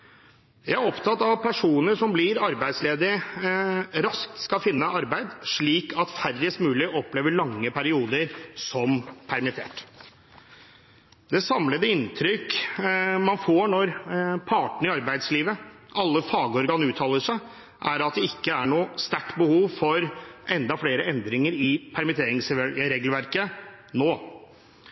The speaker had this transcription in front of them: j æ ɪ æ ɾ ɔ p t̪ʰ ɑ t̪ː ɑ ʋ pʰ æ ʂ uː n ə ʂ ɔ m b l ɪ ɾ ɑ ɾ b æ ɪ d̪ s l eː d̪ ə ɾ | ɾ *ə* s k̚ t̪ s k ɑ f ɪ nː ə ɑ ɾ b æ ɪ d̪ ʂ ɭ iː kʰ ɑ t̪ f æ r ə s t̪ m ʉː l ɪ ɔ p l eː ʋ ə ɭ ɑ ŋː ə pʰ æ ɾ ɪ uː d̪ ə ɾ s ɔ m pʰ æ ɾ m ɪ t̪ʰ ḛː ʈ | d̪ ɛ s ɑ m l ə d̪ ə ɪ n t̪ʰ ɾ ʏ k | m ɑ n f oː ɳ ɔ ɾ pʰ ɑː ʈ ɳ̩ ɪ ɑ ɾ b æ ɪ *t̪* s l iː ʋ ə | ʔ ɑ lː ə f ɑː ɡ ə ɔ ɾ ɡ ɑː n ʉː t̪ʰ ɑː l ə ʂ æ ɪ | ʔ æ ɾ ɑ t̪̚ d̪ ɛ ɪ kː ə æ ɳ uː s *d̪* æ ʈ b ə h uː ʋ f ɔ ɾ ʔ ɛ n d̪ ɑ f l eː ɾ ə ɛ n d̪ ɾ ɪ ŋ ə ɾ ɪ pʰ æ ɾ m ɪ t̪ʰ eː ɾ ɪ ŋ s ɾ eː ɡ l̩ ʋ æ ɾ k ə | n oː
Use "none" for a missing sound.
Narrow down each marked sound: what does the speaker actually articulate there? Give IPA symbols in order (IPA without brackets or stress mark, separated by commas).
ɑ, d̪, t̪